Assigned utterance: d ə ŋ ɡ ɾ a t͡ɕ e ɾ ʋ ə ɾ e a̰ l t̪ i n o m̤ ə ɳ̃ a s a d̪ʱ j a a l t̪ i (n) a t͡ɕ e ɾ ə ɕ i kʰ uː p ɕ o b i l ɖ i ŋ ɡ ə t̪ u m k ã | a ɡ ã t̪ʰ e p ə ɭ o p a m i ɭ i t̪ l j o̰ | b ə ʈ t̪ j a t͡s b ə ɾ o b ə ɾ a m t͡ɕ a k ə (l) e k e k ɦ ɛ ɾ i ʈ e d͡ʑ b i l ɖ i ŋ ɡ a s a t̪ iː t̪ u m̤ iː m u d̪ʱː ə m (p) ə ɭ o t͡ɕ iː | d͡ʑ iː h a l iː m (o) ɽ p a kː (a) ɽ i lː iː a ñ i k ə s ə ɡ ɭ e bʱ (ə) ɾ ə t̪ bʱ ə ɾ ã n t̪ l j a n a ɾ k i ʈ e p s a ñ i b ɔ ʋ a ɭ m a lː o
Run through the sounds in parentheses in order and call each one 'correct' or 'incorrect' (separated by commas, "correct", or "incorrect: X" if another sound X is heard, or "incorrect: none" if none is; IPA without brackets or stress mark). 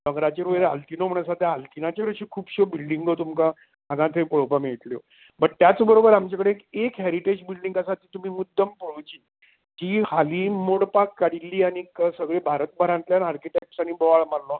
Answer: correct, incorrect: ɽ, correct, correct, correct, incorrect: a